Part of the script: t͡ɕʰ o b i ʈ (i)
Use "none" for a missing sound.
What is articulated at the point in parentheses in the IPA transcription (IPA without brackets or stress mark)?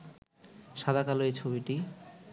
i